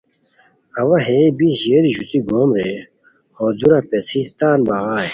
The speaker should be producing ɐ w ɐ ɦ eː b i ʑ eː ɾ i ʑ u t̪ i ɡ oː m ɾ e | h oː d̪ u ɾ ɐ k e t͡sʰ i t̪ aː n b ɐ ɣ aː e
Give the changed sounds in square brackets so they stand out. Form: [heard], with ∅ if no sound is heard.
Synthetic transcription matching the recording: ɐ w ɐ ɦ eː b i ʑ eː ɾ i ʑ u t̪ i ɡ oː m ɾ e | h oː d̪ u ɾ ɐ [p] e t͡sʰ i t̪ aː n b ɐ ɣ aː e